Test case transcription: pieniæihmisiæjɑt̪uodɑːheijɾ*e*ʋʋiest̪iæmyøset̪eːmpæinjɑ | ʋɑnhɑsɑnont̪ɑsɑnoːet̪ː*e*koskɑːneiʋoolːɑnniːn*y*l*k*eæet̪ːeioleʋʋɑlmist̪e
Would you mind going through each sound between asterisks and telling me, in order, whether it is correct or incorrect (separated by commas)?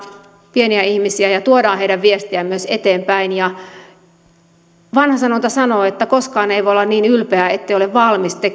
incorrect, incorrect, correct, incorrect